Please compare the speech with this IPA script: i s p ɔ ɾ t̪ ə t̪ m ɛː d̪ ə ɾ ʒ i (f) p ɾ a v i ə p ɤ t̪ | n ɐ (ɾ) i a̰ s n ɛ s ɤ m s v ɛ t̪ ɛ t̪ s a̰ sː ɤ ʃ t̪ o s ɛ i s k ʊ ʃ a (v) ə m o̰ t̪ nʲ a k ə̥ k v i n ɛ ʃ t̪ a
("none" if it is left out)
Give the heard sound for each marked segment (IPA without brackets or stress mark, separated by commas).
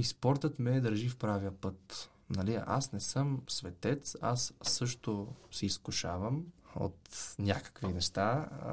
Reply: f, l, v